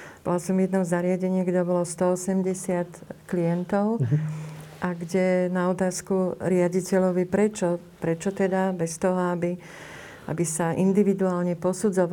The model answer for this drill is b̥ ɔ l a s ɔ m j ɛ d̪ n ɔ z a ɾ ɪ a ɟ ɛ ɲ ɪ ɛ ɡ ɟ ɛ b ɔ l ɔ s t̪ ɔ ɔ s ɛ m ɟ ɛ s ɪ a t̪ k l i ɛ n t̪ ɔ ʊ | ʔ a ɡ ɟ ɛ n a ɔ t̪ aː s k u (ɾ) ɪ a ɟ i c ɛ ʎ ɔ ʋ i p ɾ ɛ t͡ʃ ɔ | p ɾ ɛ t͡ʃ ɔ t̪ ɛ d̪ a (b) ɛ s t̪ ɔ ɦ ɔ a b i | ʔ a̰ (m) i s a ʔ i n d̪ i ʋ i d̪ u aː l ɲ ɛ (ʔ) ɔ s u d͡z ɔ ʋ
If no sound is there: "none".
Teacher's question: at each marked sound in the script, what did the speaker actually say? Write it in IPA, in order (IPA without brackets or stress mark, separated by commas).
ɾ, b, b, p